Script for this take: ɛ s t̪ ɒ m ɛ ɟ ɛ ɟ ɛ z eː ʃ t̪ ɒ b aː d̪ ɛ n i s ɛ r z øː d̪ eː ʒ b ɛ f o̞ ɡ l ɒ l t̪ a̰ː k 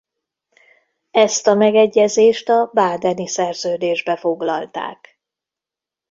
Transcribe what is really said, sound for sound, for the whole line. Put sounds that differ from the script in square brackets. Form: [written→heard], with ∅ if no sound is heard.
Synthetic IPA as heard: ɛ s t̪ ɒ m ɛ [ɟ→ɡ] ɛ [ɟ→ɟː] ɛ z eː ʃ t̪ ɒ b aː d̪ ɛ n i s ɛ r z øː d̪ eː ʒ b ɛ f o̞ ɡ l ɒ l t̪ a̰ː k